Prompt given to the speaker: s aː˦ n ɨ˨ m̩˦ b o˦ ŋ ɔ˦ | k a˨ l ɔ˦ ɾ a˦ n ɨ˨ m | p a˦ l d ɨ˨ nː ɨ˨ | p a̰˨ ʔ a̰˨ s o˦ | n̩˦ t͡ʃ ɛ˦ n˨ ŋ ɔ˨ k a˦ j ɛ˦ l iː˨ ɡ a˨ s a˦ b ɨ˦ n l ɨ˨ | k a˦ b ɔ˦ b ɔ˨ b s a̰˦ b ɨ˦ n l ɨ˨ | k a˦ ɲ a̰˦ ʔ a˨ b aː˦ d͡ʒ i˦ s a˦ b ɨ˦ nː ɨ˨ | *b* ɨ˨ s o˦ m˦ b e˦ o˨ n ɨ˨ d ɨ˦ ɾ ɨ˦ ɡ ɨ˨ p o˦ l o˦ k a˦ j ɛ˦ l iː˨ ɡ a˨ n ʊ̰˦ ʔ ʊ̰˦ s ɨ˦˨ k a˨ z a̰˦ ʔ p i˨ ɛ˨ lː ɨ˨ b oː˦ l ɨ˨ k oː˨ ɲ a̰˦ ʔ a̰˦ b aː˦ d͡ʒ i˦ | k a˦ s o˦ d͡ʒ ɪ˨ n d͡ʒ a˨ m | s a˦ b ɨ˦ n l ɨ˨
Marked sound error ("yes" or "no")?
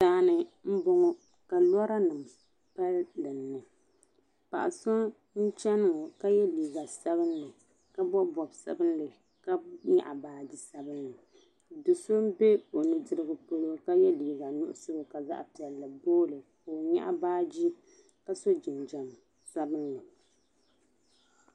yes